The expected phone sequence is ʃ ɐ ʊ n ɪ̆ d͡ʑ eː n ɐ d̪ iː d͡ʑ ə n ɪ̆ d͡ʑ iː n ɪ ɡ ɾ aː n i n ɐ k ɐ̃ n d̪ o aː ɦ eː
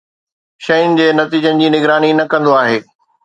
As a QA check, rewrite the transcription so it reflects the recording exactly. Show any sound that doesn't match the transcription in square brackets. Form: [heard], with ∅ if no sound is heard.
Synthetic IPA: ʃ ɐ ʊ n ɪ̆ d͡ʑ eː n ɐ [t̪] iː d͡ʑ ə n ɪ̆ d͡ʑ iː n ɪ ɡ ɾ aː n i n ɐ k ɐ̃ n d̪ o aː ɦ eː